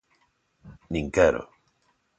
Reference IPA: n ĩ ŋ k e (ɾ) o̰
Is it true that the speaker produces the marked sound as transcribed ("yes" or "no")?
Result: yes